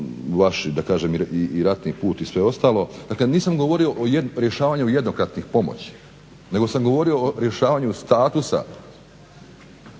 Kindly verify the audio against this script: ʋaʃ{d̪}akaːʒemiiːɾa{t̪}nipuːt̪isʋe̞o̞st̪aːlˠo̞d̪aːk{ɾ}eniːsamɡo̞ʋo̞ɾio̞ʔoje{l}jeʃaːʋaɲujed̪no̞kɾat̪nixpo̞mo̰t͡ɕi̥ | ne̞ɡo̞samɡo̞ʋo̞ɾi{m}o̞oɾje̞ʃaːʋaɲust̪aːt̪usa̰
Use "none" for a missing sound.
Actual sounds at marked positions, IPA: d̪, t̪, l, ɾ, none

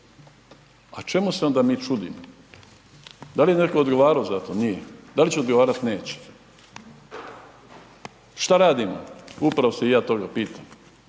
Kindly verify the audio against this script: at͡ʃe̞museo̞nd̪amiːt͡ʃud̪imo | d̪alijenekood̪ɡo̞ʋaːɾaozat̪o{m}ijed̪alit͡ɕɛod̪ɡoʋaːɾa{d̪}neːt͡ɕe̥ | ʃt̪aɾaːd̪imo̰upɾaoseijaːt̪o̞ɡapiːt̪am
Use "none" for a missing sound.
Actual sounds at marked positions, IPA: n, t̪

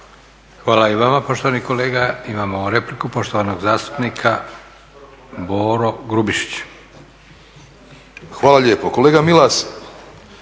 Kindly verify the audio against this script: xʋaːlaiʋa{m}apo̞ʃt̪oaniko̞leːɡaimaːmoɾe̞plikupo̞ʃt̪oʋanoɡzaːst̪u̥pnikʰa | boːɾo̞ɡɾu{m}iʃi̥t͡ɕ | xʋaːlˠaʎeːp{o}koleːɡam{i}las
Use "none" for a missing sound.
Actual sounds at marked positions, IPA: m, b, o, i

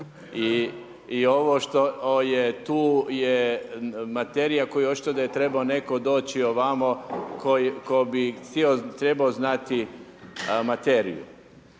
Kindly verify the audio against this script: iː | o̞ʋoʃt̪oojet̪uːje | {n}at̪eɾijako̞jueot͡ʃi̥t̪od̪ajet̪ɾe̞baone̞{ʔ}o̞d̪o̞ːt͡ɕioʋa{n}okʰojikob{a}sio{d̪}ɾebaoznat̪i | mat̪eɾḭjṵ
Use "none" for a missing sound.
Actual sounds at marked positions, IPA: m, k, m, i, t̪

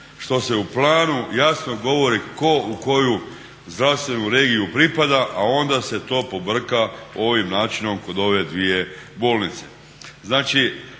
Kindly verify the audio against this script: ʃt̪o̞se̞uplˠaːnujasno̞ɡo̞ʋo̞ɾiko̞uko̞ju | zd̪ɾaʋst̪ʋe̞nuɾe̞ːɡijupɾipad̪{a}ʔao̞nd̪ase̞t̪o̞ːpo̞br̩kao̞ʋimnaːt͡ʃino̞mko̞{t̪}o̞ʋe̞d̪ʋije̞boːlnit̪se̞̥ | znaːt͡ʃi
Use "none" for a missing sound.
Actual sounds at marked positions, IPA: a, d̪

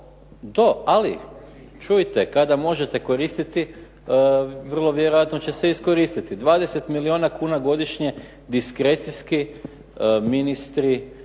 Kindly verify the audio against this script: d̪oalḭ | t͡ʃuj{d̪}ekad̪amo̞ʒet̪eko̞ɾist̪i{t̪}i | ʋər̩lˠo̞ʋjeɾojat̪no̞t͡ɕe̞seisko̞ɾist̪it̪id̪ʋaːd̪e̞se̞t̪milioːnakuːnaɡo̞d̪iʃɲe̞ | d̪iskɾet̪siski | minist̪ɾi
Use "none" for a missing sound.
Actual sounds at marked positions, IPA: t̪, t̪

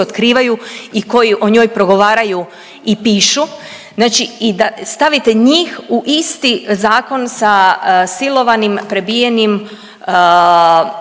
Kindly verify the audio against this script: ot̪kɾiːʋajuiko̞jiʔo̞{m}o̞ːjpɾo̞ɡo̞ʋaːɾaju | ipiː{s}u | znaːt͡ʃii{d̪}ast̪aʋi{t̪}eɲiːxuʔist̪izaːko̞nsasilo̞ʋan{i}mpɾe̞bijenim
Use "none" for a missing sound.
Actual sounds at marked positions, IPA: ɲ, ʃ, d̪, t̪, i

